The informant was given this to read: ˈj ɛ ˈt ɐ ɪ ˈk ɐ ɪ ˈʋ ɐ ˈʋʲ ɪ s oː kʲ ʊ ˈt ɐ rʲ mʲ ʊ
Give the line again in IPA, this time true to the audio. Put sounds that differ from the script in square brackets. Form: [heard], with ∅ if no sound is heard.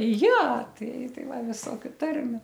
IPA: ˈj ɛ ˈt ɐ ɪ [ˈt] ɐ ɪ ˈʋ ɐ ˈʋʲ ɪ s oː kʲ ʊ ˈt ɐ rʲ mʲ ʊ